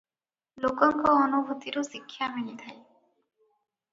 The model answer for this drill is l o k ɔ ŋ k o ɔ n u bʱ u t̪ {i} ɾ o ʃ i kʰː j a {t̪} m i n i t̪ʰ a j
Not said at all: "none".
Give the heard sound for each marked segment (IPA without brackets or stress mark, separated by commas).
i, none